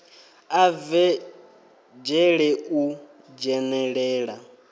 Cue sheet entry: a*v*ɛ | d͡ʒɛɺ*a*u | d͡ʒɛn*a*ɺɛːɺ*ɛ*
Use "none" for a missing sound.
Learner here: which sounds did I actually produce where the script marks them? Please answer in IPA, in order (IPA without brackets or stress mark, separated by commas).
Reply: v, ɛ, ɛ, a